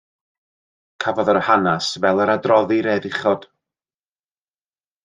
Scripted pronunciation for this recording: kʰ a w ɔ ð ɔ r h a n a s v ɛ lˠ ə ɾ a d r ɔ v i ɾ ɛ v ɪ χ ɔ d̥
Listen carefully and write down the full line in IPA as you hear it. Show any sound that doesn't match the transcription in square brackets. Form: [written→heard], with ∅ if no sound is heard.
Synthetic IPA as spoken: kʰ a [w→v] ɔ ð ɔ r h a n a s v ɛ lˠ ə ɾ a d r ɔ [v→ð] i ɾ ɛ [v→ð] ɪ χ ɔ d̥